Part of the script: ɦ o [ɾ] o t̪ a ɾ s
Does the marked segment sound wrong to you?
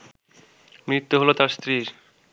yes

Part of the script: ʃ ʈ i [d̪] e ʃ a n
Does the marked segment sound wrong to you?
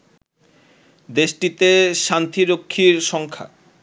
yes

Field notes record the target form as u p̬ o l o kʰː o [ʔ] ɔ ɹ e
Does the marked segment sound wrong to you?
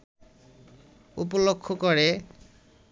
yes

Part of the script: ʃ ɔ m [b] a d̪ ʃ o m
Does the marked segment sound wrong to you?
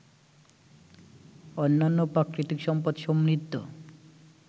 yes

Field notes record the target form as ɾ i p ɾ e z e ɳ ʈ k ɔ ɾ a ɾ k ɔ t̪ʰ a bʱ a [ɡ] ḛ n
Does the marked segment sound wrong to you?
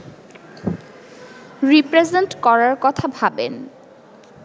yes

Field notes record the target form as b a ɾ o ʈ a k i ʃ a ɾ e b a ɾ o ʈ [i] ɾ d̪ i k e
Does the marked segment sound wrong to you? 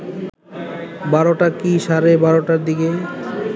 yes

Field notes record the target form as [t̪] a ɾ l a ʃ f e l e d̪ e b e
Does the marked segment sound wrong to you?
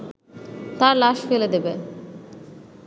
no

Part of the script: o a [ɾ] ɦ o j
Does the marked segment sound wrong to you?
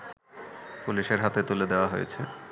yes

